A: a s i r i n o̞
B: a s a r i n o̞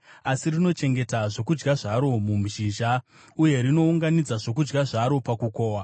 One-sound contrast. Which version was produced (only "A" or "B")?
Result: A